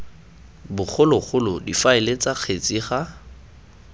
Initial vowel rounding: rounded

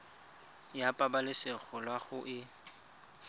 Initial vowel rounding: unrounded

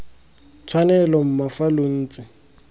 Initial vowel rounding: unrounded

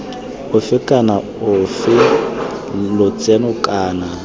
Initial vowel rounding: rounded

